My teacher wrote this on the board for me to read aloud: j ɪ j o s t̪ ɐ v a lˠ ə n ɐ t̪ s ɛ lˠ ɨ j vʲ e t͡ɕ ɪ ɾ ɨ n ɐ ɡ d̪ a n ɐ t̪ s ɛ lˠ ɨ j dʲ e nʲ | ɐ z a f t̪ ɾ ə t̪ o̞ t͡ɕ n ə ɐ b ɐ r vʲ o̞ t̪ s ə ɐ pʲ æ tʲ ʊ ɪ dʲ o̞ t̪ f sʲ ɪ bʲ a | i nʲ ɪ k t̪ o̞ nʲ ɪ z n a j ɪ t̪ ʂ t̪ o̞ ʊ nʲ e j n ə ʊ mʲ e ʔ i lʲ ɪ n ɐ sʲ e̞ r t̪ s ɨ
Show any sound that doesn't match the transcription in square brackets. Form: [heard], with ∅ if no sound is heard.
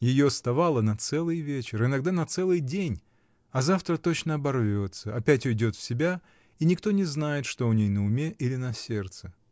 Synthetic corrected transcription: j ɪ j o s t̪ ɐ v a lˠ ə n ɐ t̪ s ɛ lˠ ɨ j vʲ e t͡ɕ ɪ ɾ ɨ n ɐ ɡ d̪ a n ɐ t̪ s ɛ lˠ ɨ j dʲ e nʲ | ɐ z a f t̪ ɾ ə t̪ o̞ t͡ɕ n ə ɐ b ɐ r vʲ o̞ t̪ s ə ɐ pʲ æ tʲ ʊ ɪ dʲ o̞ t̪ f sʲ ɪ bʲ a | i nʲ ɪ k t̪ o̞ nʲ ɪ z n a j ɪ t̪ ʂ t̪ o̞ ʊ nʲ e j n ə ʊ mʲ e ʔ i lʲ ɪ n ɐ sʲ e̞ r t̪ s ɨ